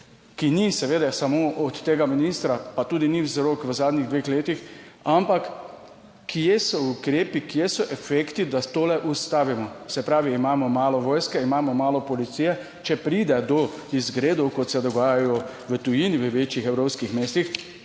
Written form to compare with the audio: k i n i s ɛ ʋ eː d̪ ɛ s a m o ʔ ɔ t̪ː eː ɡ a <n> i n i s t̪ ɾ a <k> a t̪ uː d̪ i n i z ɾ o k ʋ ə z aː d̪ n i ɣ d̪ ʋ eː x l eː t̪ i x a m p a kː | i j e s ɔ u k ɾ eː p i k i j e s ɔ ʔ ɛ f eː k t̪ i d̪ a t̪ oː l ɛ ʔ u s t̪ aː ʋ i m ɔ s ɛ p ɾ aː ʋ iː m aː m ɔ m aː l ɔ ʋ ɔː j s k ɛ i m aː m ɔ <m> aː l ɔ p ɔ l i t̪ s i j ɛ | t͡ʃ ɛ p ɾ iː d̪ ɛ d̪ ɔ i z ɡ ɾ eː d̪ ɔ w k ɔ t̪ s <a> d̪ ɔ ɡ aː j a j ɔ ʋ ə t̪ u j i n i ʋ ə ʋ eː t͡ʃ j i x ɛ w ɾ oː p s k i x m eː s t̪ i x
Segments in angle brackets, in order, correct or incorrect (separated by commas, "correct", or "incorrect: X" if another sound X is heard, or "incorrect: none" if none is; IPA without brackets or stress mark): incorrect: m, incorrect: p, correct, incorrect: ɛ